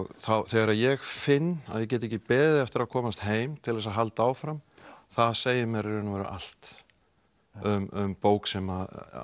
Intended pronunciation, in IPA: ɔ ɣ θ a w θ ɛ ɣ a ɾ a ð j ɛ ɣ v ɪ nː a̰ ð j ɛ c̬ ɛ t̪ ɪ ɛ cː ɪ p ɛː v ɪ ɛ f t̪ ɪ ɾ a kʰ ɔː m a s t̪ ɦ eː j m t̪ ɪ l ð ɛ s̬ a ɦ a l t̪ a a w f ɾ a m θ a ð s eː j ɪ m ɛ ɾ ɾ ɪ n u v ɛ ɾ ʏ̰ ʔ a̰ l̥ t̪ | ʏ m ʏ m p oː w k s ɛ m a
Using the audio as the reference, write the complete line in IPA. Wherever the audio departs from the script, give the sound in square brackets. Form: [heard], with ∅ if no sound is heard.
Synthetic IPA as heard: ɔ ɣ θ a w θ ɛ ɣ a ɾ a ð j ɛ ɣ [f] ɪ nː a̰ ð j ɛ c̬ ɛ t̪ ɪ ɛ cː ɪ p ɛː [ð] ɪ ɛ f t̪ ɪ ɾ a kʰ ɔː m a s t̪ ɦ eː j m [t̪ʰ] ɪ l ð ɛ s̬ a ɦ a l t̪ a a w f ɾ a m θ a ð s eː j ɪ m ɛ ɾ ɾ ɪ n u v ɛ ɾ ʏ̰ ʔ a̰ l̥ t̪ | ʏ m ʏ m p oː w k s ɛ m a